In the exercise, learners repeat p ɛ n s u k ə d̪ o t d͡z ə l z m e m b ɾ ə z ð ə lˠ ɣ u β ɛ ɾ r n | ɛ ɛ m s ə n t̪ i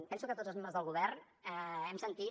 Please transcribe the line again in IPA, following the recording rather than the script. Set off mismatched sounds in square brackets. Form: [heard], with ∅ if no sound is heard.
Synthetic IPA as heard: p ɛ n s u k ə [t̪] o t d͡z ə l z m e m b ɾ ə z ð ə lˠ ɣ u β ɛ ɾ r n | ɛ ɛ m s ə n t̪ i